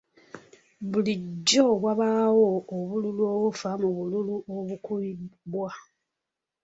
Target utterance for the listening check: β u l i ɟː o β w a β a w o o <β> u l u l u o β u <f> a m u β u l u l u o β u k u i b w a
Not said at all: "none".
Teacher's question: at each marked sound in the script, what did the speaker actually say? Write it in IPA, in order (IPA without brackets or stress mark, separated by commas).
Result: β, f